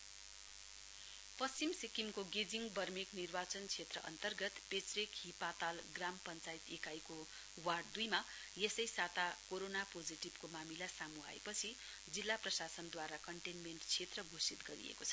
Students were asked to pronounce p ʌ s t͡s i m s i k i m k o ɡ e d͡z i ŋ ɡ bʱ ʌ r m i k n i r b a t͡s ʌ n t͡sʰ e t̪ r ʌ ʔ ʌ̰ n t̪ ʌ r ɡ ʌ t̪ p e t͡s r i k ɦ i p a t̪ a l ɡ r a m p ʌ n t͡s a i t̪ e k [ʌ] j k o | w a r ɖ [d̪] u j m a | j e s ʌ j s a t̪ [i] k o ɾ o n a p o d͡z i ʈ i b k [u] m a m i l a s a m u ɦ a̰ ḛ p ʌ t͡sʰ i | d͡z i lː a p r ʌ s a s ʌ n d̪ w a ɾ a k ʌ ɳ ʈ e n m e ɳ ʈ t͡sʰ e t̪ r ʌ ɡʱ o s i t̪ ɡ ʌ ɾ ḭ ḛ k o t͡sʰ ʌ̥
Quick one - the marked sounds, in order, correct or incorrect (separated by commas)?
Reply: incorrect, correct, incorrect, incorrect